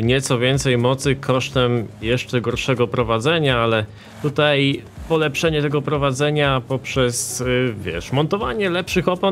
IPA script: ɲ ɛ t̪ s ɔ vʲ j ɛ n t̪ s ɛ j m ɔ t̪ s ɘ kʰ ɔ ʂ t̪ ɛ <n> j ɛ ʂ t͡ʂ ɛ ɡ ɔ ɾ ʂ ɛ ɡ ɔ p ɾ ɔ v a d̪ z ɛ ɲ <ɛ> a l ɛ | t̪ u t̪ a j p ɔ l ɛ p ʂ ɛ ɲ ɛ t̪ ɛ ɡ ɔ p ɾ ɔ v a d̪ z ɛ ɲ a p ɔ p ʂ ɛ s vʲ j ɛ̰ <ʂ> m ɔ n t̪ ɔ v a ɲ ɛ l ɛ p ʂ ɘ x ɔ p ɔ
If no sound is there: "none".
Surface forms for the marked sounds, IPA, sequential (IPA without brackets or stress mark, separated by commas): m, a, ʂ